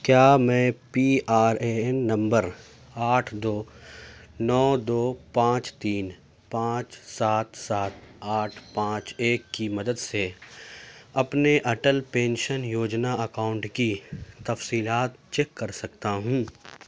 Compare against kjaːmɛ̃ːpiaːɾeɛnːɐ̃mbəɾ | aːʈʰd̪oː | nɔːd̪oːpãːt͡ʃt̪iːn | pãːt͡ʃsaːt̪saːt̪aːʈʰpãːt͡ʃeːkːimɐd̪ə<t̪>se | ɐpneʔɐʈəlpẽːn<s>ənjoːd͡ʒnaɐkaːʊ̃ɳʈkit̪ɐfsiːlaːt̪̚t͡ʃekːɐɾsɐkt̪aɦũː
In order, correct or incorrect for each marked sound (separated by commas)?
incorrect, incorrect